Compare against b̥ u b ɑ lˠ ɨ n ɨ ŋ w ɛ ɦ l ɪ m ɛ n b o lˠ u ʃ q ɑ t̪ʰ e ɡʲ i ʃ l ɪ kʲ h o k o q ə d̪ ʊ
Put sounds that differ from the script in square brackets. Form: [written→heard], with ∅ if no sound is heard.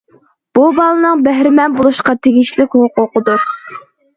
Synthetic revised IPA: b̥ u b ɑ lˠ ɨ n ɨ ŋ [w→b] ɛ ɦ [l→ɾ] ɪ m ɛ n b o lˠ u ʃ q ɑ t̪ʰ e ɡʲ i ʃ l ɪ kʲ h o [k→q] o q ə d̪ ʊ